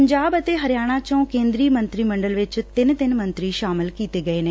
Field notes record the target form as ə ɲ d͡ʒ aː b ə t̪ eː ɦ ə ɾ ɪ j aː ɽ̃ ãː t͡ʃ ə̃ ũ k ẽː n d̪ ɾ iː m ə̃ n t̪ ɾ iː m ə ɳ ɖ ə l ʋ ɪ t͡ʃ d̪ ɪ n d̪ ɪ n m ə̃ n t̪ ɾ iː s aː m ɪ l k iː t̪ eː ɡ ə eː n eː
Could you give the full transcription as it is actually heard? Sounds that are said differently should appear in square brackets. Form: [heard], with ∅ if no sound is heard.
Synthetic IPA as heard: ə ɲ d͡ʒ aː b ə t̪ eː ɦ ə ɾ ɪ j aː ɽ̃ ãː t͡ʃ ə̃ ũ k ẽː n d̪ ɾ iː m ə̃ n t̪ ɾ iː m ə ɳ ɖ ə l ʋ ɪ t͡ʃ [t̪] ɪ n [t̪] ɪ n m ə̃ n t̪ ɾ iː [ʃ] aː m ɪ l k iː t̪ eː ɡ ə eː n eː